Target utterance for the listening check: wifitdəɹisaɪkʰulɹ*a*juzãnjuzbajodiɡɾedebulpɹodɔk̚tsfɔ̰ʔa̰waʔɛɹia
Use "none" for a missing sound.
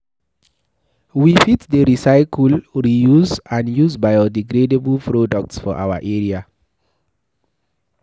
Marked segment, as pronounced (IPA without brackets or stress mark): i